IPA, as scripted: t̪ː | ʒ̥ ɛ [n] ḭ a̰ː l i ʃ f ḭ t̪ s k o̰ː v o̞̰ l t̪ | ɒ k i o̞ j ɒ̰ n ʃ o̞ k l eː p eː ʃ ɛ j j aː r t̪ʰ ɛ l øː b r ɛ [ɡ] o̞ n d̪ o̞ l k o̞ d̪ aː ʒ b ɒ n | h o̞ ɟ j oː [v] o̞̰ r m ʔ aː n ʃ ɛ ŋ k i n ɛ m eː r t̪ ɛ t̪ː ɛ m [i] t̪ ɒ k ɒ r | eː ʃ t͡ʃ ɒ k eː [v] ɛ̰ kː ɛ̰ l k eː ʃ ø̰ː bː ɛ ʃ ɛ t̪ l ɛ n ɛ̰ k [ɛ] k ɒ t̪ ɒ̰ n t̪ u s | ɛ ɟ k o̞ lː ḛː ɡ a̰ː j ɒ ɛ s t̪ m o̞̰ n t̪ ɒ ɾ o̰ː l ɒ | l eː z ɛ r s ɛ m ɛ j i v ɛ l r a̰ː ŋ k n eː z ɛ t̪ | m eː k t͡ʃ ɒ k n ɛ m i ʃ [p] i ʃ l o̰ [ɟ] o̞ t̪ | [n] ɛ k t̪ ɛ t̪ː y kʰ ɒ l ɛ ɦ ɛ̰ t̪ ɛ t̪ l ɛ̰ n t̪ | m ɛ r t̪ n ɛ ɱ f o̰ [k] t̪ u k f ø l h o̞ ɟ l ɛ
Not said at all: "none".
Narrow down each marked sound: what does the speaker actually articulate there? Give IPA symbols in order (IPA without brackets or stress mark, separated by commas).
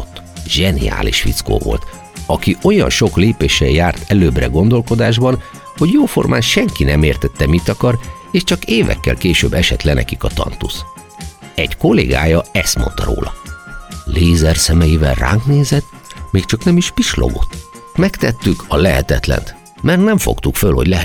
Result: n, ɡ, f, i, v, i, p, ɡ, m, k